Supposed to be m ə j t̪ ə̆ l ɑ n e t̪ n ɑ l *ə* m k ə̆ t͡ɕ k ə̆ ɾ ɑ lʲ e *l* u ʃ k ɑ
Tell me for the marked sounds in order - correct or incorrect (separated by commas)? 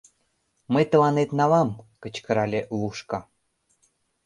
incorrect, correct